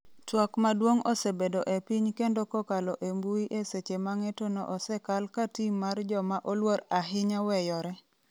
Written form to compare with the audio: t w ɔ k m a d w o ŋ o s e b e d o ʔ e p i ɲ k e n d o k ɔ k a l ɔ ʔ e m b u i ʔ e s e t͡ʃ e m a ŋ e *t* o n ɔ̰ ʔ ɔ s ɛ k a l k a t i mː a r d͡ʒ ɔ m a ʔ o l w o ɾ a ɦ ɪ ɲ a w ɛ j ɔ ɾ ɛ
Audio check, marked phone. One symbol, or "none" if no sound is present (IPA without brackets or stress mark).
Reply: t